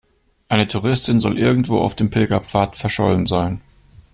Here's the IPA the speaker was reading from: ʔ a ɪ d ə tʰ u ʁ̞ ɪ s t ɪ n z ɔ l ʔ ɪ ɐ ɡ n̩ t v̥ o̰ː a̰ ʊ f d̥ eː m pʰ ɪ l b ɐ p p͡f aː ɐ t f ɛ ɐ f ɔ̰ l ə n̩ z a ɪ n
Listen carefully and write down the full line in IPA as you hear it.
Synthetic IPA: ʔ a ɪ n ə tʰ u ʁ̞ ɪ s t ɪ n z ɔ l ʔ ɪ ɐ ɡ ŋ̩ t v̥ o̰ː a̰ ʊ f d̥ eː m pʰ ɪ l ɡ ɐ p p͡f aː ɐ t f ɛ ɐ ʃ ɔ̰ l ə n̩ z a ɪ n